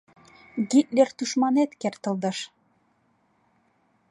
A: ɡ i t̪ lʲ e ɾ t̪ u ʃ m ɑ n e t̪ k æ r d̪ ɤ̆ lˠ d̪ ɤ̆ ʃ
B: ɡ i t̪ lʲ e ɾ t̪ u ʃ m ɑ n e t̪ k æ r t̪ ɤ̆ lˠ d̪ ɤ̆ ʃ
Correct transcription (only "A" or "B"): B